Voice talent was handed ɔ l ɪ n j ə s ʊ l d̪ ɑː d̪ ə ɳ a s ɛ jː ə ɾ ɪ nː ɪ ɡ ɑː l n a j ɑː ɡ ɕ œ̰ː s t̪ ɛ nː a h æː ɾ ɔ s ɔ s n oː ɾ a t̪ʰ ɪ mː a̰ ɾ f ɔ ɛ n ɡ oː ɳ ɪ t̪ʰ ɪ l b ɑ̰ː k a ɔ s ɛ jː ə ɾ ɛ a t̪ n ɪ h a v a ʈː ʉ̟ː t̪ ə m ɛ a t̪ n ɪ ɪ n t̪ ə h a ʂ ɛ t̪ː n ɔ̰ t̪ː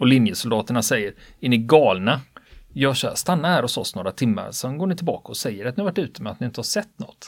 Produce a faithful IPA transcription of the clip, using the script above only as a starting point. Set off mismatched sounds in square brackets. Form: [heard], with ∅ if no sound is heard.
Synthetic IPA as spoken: ɔ l ɪ n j ə s ʊ l d̪ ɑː [t̪] ə ɳ a s ɛ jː ə ɾ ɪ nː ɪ ɡ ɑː l n a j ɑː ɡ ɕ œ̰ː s t̪ [a] nː a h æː ɾ ɔ s ɔ s n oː ɾ a t̪ʰ ɪ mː a̰ ɾ [s] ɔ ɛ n ɡ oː ɳ ɪ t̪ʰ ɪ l b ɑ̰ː k a ɔ s ɛ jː ə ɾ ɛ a t̪ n ɪ h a v a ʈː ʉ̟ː t̪ ə m ɛ a t̪ n ɪ ɪ n t̪ ə h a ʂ ɛ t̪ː n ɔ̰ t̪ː